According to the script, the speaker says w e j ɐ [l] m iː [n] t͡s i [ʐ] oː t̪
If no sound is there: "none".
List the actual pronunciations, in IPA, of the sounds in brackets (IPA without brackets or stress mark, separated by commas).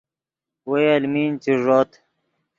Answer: l, n, ʐ